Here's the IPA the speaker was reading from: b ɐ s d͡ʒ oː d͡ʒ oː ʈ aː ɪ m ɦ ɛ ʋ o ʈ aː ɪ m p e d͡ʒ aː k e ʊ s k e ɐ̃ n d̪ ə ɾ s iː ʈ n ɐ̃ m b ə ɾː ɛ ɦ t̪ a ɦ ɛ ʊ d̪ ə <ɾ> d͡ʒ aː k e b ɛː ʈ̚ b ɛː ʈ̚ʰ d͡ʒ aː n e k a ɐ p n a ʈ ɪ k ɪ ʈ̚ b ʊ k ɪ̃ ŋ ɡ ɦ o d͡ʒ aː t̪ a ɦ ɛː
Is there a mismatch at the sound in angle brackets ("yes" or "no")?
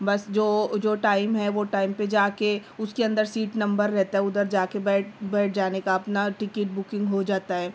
no